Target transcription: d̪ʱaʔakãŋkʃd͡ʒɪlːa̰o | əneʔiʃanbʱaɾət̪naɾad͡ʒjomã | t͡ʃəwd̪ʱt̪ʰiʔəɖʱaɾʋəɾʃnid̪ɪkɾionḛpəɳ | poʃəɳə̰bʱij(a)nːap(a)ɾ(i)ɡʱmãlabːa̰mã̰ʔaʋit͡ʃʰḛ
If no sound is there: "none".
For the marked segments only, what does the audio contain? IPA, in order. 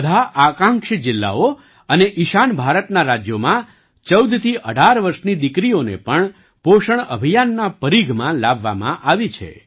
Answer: a, ə, i

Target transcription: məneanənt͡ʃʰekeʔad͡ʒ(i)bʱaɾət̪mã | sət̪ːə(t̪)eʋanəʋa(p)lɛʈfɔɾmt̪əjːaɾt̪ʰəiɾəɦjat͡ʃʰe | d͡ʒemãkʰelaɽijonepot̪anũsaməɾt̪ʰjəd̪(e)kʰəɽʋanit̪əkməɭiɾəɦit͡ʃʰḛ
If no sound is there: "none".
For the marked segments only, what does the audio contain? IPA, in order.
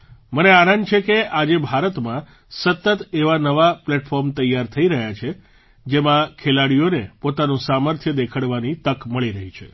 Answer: e, t̪, p, e

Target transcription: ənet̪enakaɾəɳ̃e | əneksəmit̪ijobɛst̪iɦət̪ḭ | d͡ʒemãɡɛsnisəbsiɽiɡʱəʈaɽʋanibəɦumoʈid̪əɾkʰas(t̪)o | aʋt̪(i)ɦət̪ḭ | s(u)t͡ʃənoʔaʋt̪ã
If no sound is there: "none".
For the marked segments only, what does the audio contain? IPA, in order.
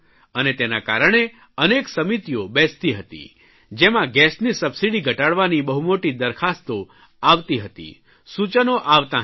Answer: t̪, i, u

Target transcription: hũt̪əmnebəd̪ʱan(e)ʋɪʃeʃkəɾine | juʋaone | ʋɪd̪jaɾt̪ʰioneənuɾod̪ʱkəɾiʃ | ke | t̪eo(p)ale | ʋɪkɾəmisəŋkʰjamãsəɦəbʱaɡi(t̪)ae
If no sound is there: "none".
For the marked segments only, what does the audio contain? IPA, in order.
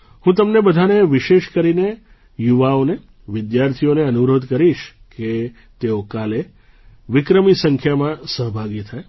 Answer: e, k, t̪ʰ

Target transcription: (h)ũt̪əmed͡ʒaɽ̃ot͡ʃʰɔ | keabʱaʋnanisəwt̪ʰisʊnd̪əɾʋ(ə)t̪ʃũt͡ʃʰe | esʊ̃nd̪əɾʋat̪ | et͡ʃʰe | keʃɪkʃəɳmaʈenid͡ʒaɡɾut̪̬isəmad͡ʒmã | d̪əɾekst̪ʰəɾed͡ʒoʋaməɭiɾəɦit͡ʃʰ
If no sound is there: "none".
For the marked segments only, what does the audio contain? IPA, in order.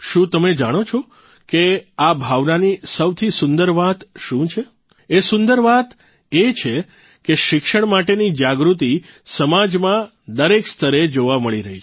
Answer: ʃ, a

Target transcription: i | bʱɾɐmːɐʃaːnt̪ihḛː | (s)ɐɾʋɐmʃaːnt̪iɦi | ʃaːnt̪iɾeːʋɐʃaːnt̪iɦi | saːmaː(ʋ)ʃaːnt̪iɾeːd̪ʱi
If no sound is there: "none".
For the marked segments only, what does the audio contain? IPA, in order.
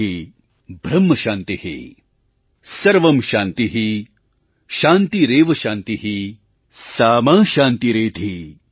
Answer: s, none

